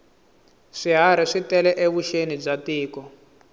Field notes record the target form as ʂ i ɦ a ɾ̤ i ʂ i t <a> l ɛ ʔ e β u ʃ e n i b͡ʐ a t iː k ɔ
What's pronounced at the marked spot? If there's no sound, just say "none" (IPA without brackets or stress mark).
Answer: ɛ